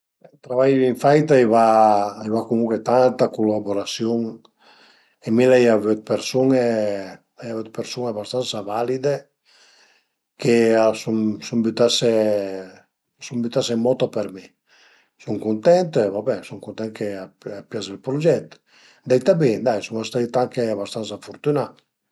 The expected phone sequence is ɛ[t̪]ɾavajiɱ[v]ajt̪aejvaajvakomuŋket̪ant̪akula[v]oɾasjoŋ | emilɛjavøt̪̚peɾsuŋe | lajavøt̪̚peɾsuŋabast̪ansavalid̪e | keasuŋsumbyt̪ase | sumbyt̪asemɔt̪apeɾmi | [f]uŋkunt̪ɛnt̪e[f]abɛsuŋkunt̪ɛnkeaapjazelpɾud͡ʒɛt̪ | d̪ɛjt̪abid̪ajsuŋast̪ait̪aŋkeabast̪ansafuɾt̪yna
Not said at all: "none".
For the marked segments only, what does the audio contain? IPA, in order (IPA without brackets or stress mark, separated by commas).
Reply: t̪, f, b, s, v